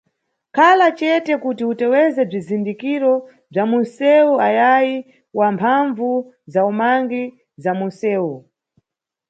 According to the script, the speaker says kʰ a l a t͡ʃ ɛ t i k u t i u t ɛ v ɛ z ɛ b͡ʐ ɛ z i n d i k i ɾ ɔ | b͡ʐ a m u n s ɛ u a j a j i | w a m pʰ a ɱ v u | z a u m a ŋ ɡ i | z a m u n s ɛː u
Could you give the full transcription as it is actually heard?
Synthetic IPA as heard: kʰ a l a t͡ʃ ɛ t ɛ k u t i u t ɛ w ɛ z ɛ b͡ʐ i z i n d i k i ɾ ɔ | b͡ʐ a m u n s ɛ u a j a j i | w a m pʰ a ɱ v u | z a u m a ŋ ɡ i | z a m u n s ɛː u